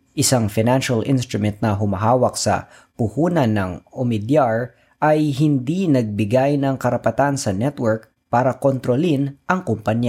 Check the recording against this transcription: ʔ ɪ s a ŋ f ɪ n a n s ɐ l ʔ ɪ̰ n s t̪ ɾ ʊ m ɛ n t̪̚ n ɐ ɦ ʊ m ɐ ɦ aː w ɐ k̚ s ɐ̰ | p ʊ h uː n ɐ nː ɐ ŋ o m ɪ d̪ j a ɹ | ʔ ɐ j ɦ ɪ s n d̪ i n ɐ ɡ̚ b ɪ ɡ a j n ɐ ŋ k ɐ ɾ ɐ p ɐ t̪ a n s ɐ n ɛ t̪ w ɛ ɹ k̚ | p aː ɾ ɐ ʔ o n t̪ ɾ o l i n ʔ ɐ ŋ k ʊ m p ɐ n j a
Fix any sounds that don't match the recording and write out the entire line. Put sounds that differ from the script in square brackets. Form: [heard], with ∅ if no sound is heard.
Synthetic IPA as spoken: ʔ ɪ s a ŋ f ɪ n a n [ʃ] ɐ l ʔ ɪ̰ n s t̪ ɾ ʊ m ɛ n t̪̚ n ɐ ɦ ʊ m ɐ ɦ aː w ɐ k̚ s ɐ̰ | p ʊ h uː n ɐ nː ɐ ŋ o m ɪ d̪ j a ɹ | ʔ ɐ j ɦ ɪ [∅] n d̪ i n ɐ ɡ̚ b ɪ ɡ a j n ɐ ŋ k ɐ ɾ ɐ p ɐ t̪ a n s ɐ n ɛ t̪ w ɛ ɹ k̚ | p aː ɾ ɐ [k] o n t̪ ɾ o l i n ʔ ɐ ŋ k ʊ m p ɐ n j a